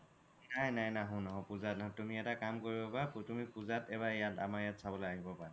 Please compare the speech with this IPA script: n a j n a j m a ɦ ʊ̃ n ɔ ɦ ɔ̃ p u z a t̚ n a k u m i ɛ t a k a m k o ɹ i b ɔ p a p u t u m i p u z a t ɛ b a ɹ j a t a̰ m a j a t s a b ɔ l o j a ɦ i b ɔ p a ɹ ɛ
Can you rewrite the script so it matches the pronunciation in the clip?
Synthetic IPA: n a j n a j n a ɦ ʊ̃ n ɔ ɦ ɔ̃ p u z a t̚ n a t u m i ɛ t a k a m k o ɹ i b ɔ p a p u t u m i p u z a t ɛ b a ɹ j a t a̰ m a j a t s a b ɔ l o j a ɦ i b ɔ p a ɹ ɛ